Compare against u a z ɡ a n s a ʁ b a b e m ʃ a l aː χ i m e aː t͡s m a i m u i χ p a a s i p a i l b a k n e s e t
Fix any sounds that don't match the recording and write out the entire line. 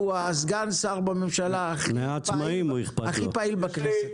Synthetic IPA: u a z ɡ a n s a ʁ b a m e m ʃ a l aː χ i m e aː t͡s m a i m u i χ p a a χ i p a i l b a k n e s e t